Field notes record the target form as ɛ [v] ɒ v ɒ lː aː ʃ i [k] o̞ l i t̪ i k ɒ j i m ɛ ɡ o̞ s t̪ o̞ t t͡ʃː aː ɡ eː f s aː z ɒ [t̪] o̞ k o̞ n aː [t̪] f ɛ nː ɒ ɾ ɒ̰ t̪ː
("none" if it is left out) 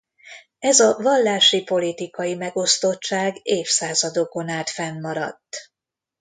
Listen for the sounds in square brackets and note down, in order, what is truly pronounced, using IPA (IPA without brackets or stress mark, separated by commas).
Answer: z, p, d̪, t̪